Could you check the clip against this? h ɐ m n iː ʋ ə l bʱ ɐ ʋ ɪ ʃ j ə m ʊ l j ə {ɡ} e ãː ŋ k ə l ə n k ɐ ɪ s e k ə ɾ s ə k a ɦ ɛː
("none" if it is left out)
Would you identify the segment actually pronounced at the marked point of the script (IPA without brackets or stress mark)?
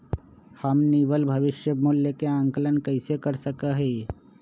k